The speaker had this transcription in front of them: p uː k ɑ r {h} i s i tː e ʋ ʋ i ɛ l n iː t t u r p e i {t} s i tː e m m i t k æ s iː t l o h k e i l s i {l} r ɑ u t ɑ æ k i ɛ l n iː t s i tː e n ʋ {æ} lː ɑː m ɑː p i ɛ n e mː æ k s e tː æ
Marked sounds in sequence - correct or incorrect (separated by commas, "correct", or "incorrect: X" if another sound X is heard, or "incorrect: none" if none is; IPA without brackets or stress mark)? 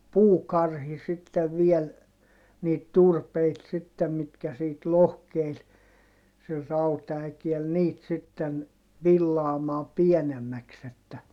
correct, correct, correct, incorrect: i